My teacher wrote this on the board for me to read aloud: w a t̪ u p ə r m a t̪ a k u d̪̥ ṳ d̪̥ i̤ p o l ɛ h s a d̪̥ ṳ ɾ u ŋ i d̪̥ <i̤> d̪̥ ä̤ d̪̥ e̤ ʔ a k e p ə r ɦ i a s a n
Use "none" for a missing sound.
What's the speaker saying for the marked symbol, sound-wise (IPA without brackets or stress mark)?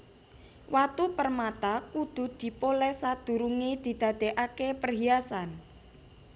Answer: i̤